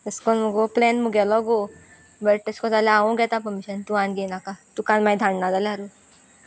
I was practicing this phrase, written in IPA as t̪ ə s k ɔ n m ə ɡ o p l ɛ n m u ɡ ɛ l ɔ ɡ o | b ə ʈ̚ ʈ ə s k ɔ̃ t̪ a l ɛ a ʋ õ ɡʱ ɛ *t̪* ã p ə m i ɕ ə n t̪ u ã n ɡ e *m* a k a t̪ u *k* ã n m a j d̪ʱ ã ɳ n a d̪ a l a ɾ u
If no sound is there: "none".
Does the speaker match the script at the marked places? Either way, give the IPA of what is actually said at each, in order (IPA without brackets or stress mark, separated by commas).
t̪, n, k